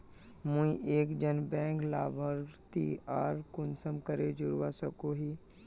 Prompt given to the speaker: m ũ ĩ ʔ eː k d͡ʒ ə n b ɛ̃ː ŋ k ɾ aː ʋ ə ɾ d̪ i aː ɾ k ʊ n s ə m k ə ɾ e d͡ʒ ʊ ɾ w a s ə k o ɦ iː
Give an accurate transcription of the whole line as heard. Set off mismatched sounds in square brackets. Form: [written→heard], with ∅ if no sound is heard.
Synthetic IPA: m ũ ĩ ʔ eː k d͡ʒ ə n b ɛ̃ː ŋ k [ɾ→l] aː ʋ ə ɾ [d̪→t̪] i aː ɾ k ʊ n s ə m k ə ɾ e d͡ʒ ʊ ɾ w a s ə k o ɦ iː